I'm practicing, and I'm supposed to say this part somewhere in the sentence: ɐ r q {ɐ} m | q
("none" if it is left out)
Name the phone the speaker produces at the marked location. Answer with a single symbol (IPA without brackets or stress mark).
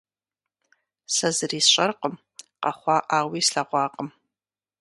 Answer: ə